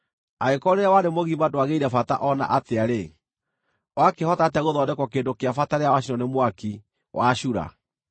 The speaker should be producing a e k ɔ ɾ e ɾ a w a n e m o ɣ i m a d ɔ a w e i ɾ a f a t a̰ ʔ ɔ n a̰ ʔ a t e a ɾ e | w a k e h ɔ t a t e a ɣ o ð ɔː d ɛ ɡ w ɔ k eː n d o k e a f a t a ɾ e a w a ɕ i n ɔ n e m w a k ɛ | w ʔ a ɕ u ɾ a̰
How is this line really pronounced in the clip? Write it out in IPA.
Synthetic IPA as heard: a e k ɔ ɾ e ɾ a w a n e m o ɣ i m a d o a ɣ e i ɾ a f a t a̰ ʔ ɔ n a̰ ʔ a t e a ɾ e | w a k e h ɔ t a t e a ɣ o ð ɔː d ɛ k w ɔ k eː n d o k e a f a t a ɾ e a w a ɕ i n ɔ n e m w a k i | w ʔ a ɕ u ɾ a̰